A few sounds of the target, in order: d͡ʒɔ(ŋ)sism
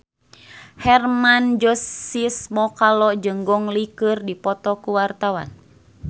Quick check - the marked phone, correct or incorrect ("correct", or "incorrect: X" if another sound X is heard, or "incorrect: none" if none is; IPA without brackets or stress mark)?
incorrect: none